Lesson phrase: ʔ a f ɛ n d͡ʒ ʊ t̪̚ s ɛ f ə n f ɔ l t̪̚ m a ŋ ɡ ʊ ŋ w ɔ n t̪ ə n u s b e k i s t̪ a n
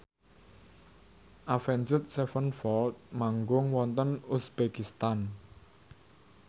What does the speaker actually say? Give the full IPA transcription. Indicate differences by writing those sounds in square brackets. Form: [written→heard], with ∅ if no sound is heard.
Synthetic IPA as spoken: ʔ a f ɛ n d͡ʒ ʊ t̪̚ s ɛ f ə n f ɔ l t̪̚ m a ŋ ɡ ʊ ŋ w ɔ n t̪ ə n u s b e k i s t̪ a n